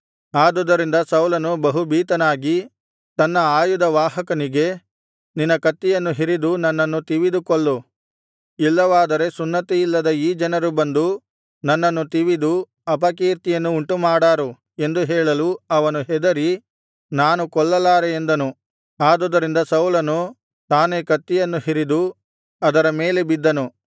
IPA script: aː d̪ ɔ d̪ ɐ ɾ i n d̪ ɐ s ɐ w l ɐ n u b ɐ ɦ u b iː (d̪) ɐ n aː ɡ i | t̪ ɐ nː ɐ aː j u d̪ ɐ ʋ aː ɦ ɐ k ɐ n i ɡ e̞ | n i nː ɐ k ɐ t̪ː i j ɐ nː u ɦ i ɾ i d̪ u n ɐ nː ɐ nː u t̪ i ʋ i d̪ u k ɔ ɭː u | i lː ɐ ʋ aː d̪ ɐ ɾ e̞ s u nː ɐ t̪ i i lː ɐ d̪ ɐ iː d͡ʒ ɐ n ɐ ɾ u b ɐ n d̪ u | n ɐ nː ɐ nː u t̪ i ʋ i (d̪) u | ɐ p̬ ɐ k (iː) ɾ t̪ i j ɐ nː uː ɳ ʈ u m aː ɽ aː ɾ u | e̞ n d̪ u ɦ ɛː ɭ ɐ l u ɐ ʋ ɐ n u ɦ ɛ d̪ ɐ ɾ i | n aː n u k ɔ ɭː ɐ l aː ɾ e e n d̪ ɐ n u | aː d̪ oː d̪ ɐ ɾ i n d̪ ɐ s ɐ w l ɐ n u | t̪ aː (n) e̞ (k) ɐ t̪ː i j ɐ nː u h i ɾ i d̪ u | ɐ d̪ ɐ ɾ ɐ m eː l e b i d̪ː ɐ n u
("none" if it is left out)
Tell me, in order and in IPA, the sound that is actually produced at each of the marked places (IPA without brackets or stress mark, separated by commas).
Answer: t̪, d̪, iː, n, k